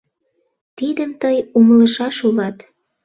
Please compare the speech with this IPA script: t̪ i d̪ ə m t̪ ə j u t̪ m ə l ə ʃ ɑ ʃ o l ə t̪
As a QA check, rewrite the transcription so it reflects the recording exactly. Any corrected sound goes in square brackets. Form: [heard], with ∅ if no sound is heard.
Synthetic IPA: t̪ i d̪ ə m t̪ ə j u [∅] m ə l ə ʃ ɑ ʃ [u] l [ɑ] t̪